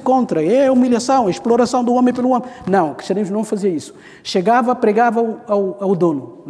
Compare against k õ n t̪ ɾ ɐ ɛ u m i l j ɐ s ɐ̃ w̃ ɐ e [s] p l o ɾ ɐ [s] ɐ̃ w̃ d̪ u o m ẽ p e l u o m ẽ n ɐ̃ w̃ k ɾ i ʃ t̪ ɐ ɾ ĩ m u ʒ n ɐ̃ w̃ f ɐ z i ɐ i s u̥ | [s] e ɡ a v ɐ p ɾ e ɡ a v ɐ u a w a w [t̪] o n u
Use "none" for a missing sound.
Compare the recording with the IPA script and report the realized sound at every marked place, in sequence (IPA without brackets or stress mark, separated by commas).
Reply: ʃ, s, ʃ, d̪